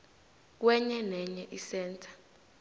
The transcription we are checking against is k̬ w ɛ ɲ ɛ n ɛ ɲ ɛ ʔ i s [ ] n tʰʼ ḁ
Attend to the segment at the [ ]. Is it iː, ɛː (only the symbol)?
ɛː